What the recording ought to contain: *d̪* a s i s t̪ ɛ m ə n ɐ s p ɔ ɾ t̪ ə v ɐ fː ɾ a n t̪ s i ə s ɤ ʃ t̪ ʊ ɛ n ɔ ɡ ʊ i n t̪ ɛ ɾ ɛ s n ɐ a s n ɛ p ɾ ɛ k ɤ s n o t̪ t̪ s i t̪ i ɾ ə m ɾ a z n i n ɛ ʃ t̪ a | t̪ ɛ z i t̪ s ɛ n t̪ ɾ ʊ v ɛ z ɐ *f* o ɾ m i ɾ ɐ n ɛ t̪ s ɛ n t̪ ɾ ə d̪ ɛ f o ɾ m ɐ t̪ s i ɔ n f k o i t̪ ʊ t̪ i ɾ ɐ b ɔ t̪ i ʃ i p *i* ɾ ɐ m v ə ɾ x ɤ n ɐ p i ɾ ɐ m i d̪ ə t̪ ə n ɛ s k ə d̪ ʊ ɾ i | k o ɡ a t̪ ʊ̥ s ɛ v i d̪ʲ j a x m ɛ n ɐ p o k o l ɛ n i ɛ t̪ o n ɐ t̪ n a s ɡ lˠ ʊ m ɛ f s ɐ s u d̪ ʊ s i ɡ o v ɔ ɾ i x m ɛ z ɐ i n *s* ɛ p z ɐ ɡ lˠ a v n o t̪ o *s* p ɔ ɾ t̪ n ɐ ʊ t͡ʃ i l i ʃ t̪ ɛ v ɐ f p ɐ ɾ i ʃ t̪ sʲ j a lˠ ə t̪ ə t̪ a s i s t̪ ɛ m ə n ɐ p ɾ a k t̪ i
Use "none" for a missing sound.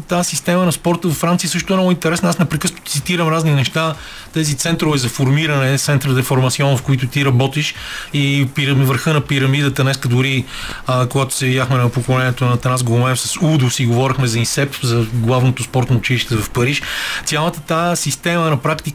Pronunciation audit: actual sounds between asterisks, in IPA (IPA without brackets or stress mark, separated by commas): t̪, f, i, s, s